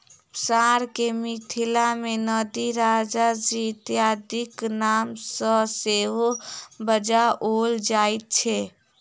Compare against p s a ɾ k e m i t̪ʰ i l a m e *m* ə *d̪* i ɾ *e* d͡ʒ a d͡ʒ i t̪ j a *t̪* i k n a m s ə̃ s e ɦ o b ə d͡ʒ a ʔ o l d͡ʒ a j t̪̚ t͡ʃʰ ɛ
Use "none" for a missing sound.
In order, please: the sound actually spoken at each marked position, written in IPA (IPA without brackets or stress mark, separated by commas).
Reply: n, d̪, a, d̪